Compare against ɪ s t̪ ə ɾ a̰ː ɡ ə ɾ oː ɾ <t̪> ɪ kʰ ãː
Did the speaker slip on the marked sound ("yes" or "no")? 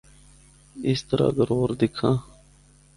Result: yes